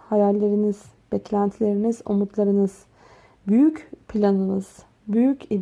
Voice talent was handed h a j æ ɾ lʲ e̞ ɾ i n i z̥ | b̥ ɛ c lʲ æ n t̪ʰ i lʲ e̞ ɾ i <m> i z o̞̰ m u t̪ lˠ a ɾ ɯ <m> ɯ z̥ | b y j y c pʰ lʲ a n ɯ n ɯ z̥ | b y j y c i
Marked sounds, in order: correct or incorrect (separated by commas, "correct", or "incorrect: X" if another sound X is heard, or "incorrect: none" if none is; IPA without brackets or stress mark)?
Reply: incorrect: n, incorrect: n